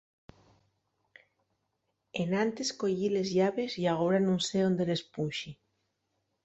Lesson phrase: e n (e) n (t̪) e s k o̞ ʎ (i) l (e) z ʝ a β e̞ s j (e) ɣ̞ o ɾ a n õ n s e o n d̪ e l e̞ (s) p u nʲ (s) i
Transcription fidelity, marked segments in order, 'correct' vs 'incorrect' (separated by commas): incorrect, correct, correct, correct, incorrect, correct, incorrect